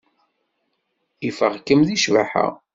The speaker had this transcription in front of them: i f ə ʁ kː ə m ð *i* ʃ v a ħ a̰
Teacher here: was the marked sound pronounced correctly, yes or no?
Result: yes